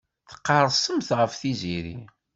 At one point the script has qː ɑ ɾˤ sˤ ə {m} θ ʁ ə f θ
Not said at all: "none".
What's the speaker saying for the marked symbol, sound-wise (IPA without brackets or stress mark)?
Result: m